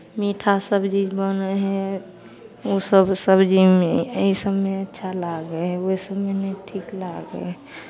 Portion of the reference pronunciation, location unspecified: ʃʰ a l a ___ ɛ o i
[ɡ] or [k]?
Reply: ɡ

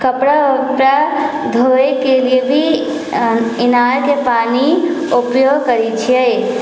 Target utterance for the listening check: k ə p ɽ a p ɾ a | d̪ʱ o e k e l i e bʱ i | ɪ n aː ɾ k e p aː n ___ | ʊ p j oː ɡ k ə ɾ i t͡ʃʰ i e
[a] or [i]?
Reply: i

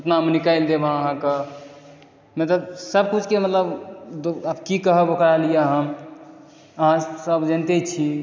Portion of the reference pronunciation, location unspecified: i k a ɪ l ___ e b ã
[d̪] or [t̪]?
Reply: d̪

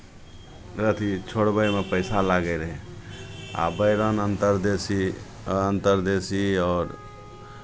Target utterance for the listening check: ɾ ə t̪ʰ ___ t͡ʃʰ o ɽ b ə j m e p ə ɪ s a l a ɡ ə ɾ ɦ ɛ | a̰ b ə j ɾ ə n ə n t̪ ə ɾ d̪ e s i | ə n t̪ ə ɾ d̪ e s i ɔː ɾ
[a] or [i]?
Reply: i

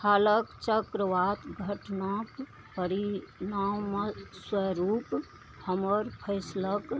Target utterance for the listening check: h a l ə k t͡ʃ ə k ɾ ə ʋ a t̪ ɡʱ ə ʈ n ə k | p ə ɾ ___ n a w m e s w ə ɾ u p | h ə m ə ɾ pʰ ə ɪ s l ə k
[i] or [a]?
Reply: i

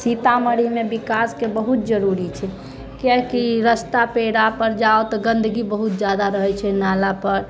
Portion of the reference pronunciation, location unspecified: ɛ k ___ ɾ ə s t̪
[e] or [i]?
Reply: i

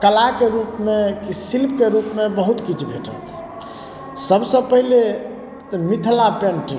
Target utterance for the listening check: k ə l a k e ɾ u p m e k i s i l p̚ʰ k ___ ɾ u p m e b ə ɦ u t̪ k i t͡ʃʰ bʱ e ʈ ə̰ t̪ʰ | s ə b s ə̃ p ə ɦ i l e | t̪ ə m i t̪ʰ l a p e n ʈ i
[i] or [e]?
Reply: e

